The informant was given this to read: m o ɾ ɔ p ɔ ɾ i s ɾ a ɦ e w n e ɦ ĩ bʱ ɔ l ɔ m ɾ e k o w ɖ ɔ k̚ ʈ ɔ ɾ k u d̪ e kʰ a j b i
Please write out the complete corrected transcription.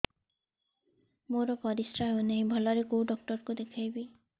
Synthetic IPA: m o ɾ ɔ p ɔ ɾ i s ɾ a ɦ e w n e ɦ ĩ bʱ ɔ l ɔ ɾ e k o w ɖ ɔ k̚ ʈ ɔ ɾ k u d̪ e kʰ a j b i